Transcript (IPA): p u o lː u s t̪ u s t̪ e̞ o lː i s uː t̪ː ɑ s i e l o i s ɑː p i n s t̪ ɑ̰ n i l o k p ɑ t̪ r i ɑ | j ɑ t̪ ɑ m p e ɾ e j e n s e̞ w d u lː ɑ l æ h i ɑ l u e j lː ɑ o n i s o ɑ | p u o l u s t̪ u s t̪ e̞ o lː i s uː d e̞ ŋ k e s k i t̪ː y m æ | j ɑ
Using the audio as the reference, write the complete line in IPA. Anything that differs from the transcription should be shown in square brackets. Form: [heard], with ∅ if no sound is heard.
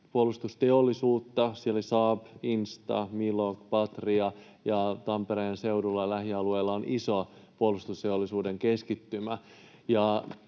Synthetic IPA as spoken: p u o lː u s t̪ u s t̪ e̞ o lː i s uː t̪ː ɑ s i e l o i s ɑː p i n s t̪ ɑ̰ [m] i l o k p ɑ t̪ r i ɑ | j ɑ t̪ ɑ m p e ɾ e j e n s e̞ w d u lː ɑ l æ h i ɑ l u e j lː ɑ o n i s o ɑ | p u o l u s t̪ u s t̪ e̞ o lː i s uː d e̞ ŋ k e s k i t̪ː y m æ | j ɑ